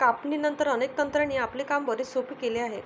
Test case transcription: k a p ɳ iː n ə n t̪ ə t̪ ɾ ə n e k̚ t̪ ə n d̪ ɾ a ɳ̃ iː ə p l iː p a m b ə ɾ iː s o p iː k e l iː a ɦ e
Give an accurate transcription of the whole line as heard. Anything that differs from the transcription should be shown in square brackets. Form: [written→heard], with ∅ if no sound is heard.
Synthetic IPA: k a p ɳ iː n ə n t̪ ə [t̪→∅] ɾ ə n e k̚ t̪ ə n [d̪→t̪] ɾ a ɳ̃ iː [ə→a] p l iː [p→k] a m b ə ɾ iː s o p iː k e l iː a ɦ e